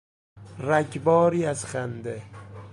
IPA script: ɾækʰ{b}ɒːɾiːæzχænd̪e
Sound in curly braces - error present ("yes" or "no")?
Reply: no